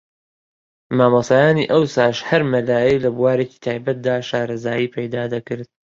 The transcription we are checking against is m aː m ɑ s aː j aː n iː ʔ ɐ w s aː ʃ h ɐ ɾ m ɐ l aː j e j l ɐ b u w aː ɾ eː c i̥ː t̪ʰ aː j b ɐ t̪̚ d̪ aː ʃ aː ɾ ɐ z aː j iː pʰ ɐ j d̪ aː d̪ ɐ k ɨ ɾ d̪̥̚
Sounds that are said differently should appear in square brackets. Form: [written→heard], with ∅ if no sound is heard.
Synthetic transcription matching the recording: m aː m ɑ s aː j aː n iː ʔ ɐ w s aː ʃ h ɐ ɾ m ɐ l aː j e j l ɐ b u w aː ɾ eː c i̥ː t̪ʰ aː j b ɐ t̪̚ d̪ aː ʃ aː ɾ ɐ z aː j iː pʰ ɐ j d̪ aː d̪ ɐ k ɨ ɾ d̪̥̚